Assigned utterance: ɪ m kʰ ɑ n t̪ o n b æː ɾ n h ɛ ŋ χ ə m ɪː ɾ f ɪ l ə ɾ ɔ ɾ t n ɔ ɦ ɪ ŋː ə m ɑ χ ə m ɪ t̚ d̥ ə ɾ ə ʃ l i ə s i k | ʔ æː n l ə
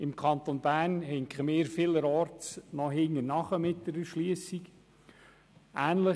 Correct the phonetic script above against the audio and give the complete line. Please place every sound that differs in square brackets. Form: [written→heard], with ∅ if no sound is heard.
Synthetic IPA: ɪ m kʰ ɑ n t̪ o n b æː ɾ n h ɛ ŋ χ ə m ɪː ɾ f ɪ l ə ɾ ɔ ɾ t n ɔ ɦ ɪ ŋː ə [m→n] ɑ χ ə m ɪ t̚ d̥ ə ɾ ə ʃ l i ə s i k | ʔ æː n l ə